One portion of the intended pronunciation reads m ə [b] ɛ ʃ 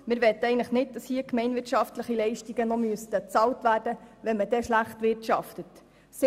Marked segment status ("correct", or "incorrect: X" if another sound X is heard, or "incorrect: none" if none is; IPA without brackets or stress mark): incorrect: d